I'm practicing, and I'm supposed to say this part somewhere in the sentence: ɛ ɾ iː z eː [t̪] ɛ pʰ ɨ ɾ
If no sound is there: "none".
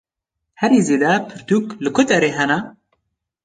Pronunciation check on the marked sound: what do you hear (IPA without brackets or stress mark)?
d̪